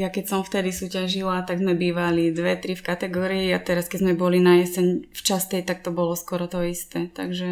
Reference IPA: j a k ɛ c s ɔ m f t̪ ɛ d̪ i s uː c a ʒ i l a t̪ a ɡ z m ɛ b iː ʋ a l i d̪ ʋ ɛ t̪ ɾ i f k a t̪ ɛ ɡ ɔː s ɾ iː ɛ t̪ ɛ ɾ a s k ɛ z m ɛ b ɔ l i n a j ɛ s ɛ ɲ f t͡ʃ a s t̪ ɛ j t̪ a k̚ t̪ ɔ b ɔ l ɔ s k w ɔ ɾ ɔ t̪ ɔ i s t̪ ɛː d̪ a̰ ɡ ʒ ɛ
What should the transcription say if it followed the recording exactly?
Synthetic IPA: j a k ɛ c s ɔ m f t̪ ɛ d̪ i s uː c a ʒ i l a t̪ a ɡ z m ɛ b iː ʋ a l i d̪ ʋ ɛ t̪ ɾ i f k a t̪ ɛ ɡ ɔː ɾ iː a t̪ ɛ ɾ a s k ɛ z m ɛ b ɔ l i n a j ɛ s ɛ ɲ f t͡ʃ a s t̪ ɛ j t̪ a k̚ t̪ ɔ b ɔ l ɔ s k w ɔ ɾ ɔ t̪ ɔ i s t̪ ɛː t̪ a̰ ɡ ʒ ɛ